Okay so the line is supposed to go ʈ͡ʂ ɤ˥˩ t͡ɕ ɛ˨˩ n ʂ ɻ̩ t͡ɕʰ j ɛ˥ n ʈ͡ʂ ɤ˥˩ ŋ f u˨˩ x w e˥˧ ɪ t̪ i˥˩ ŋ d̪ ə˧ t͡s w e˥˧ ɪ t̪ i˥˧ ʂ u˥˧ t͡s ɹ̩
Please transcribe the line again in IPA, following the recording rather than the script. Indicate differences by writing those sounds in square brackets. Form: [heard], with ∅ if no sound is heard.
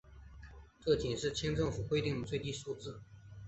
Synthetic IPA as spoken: ʈ͡ʂ ɤ˥˩ t͡ɕ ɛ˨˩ n ʂ ɻ̩ t͡ɕʰ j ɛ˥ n ʈ͡ʂ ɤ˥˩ ŋ f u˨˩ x w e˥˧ ɪ t̪ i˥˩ ŋ d̪ [ə˩] t͡s w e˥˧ ɪ t̪ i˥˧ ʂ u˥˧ t͡s ɹ̩